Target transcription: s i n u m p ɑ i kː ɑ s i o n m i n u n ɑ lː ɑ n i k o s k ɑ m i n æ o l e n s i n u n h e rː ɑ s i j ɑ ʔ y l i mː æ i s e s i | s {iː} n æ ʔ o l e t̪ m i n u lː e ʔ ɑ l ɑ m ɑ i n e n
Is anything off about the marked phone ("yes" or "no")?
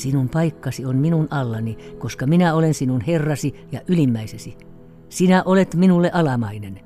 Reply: yes